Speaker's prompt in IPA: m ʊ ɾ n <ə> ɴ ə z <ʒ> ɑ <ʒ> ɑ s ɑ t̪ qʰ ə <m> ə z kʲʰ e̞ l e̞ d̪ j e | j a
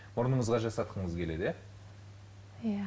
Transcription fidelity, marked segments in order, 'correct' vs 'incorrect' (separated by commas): correct, incorrect, correct, incorrect